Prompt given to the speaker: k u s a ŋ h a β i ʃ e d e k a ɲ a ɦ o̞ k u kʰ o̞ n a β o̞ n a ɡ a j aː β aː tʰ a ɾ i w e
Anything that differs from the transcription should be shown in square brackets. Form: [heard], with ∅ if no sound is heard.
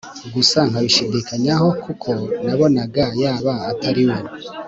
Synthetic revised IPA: [ɡ] u s a ŋ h a β i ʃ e d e k a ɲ a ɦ o̞ k u kʰ o̞ n a β o̞ n a ɡ a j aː β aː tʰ a ɾ i w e